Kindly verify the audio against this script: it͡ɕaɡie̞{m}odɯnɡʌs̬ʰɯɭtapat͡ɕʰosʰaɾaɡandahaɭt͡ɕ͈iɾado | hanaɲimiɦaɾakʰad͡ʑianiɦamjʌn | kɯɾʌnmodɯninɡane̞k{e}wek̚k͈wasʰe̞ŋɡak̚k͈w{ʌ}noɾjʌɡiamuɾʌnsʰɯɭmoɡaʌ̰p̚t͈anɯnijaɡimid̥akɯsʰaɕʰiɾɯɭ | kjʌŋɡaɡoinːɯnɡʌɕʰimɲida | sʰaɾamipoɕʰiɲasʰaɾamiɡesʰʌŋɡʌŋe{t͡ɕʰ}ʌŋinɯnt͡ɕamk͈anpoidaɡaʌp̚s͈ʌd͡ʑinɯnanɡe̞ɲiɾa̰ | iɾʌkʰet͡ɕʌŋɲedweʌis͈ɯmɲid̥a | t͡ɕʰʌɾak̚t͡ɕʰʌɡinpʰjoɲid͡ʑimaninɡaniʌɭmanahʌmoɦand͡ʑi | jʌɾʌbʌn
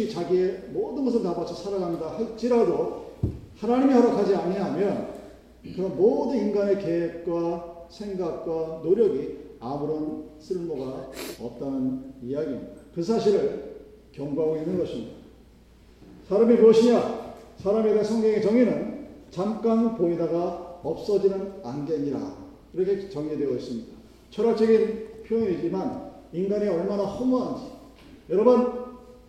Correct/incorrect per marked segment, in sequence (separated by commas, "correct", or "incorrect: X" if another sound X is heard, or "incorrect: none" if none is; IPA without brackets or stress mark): correct, correct, incorrect: a, incorrect: t͡ɕ